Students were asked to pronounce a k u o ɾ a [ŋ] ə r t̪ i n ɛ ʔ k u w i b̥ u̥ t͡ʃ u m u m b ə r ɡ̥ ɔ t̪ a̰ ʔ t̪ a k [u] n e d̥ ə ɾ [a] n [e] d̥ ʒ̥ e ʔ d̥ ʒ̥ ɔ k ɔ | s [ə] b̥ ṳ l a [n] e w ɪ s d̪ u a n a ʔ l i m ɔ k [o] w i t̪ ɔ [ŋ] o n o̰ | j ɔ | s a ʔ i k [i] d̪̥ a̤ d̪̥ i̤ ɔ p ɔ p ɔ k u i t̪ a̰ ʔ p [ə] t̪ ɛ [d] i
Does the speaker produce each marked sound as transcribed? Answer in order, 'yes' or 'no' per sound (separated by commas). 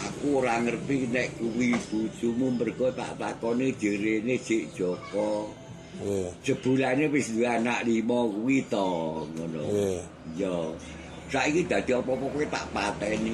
yes, no, no, yes, yes, yes, no, yes, yes, no, no